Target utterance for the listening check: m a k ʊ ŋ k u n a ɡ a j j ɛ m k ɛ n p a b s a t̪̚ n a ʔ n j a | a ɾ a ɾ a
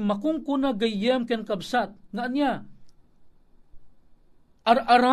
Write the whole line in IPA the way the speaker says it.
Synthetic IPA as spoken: m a k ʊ ŋ k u n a ɡ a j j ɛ m k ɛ n k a b s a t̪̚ ŋ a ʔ n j a | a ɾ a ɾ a